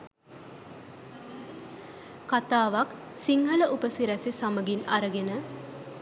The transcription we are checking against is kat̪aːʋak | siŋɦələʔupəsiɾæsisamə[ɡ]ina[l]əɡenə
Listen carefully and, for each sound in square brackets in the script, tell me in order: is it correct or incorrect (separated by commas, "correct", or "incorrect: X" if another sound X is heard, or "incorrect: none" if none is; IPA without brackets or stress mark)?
correct, incorrect: ɾ